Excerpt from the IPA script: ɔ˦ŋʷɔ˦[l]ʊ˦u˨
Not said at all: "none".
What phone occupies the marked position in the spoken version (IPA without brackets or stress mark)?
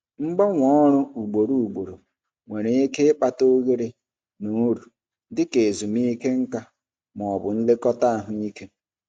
ɾ